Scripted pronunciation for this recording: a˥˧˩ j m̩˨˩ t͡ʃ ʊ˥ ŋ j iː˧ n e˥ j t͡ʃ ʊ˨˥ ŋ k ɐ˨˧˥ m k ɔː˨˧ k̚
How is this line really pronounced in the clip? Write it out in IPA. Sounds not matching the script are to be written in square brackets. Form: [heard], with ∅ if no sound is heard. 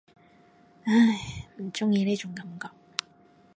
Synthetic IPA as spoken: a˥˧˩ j m̩˨˩ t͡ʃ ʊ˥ ŋ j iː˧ n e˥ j t͡ʃ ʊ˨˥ ŋ k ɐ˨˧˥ m k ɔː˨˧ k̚